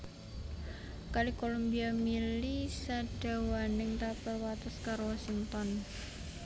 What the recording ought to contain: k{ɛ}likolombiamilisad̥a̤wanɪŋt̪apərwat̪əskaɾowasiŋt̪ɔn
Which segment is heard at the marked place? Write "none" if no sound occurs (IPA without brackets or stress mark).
a